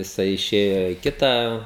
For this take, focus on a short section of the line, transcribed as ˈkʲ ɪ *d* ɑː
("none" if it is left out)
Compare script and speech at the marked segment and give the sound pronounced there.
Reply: t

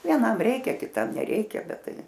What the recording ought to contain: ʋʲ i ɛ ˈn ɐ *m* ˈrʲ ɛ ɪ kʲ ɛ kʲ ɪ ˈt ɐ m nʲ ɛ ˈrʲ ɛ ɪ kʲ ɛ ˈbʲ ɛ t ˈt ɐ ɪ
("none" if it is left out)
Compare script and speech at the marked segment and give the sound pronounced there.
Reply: m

